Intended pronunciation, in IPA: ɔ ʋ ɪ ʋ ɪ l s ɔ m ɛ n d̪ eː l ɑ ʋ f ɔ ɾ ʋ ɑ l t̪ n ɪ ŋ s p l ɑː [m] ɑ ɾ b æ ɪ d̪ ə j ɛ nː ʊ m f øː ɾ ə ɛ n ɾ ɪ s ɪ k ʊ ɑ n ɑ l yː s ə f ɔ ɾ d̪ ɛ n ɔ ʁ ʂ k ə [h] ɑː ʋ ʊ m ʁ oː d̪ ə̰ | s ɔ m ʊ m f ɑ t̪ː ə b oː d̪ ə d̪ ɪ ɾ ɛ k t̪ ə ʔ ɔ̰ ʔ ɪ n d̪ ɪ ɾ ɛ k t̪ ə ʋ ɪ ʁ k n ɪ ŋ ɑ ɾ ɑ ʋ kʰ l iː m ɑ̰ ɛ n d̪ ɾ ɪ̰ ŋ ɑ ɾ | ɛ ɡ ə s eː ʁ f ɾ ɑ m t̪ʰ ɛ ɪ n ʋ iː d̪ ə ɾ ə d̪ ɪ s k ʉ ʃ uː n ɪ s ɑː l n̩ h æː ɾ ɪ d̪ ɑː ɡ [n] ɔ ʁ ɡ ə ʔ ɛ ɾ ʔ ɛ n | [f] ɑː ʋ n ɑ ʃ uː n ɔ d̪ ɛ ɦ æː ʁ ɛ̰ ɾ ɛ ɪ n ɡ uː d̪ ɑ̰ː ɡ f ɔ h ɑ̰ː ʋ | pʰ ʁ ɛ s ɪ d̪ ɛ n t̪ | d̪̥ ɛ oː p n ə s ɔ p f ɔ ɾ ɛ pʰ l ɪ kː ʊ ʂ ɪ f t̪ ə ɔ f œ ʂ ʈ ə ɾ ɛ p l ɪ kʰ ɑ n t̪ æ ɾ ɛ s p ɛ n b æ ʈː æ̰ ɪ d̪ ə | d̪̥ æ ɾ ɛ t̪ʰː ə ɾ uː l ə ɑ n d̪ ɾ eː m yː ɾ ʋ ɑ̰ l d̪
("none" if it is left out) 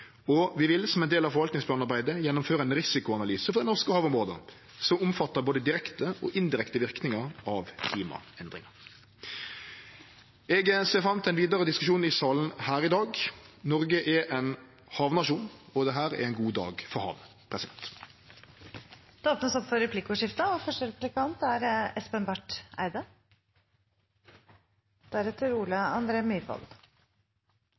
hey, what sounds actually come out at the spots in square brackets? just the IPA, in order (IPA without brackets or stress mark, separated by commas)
n, h, n, h